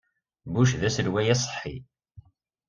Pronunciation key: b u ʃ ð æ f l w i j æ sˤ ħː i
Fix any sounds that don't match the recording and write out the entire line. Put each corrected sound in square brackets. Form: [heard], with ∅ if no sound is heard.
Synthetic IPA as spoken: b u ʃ ð æ [s] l w [æ] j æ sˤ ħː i